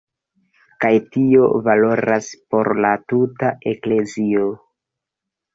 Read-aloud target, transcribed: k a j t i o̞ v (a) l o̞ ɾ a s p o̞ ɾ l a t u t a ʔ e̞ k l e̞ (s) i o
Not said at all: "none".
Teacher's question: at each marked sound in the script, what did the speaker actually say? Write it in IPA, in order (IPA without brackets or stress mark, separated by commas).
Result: a, z